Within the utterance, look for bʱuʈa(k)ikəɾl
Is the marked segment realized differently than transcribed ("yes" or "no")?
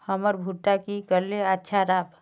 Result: no